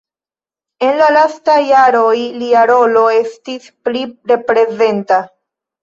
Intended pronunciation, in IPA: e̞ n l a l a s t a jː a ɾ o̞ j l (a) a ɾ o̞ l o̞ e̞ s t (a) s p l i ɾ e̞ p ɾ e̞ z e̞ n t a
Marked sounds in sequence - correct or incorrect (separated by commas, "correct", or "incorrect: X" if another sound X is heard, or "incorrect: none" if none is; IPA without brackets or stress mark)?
incorrect: i, incorrect: i